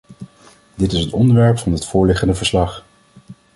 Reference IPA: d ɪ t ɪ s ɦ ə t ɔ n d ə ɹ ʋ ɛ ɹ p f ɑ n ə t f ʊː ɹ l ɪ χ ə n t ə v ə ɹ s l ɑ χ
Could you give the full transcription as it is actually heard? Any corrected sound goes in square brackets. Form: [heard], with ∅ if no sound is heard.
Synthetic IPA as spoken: d ɪ t ɪ s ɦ ə t ɔ n d ə ɹ ʋ ɛ ɹ p f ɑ n ə t f ʊː ɹ l ɪ χ ə n [d] ə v ə ɹ s l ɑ χ